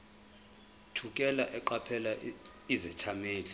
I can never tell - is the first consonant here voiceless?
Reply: yes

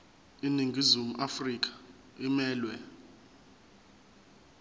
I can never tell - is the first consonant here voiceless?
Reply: no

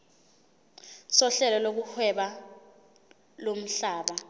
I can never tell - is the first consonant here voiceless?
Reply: yes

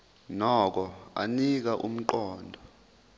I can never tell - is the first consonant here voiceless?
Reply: no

